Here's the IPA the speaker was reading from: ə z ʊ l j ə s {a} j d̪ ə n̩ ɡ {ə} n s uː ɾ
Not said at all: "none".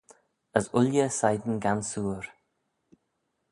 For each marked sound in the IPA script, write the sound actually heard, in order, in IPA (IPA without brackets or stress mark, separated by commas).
a, a